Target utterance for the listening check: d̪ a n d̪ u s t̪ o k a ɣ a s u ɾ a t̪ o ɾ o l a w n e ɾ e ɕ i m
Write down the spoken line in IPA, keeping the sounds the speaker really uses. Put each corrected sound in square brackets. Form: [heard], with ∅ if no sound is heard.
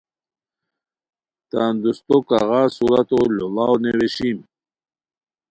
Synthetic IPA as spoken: [t̪] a n d̪ u s t̪ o k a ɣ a s u ɾ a t̪ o [l] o l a w n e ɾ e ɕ i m